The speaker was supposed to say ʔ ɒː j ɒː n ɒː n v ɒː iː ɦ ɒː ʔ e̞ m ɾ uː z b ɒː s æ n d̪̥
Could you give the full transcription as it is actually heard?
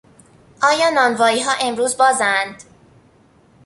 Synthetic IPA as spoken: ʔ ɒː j ɒː n ɒː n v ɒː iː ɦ ɒː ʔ e̞ m ɾ uː z b ɒː z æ n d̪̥

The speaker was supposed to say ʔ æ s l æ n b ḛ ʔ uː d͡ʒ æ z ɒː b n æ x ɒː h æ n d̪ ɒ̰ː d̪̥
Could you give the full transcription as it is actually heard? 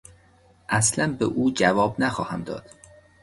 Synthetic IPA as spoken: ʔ æ s l æ n b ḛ ʔ uː d͡ʒ æ v ɒː b n æ x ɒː h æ m d̪ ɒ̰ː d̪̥

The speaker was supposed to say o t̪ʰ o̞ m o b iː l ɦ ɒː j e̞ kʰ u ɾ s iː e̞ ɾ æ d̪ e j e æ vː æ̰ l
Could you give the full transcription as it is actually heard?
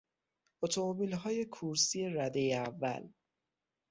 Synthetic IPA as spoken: o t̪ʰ o̞ m o b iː l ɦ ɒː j e̞ kʰ u ɾ s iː e̞ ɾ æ d̪ e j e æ vː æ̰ l

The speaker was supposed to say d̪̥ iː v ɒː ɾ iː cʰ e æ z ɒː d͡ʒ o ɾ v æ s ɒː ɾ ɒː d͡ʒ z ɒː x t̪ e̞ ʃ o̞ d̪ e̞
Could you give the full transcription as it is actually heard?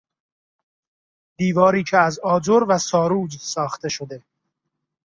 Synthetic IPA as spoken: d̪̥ iː v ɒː ɾ iː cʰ e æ z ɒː d͡ʒ o ɾ v æ s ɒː ɾ uː d͡ʒ s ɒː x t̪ e̞ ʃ o̞ d̪ e̞

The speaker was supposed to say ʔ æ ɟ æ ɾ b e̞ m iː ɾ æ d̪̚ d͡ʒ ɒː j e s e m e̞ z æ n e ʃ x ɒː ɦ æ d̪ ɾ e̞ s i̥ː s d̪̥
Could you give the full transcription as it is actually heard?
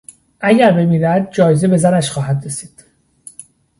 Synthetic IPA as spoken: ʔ æ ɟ æ ɾ b e̞ m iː ɾ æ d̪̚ d͡ʒ ɒː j e z e b e̞ z æ n æ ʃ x ɒː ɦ æ d̪ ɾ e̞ s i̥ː d̪̥

